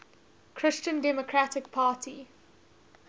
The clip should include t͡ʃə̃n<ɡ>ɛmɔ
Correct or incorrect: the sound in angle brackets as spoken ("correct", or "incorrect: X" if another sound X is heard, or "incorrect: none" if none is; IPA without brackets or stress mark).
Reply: incorrect: d